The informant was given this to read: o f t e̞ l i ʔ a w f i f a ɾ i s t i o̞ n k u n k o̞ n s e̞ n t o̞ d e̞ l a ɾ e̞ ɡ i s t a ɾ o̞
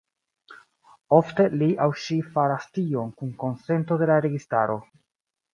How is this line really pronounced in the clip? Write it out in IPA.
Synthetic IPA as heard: o f t e̞ l i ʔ a w ʃ i f a ɾ a s t i o̞ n k u n k o̞ n s e̞ n t o̞ d e̞ l a ɾ e̞ ɡ i s t a ɾ o̞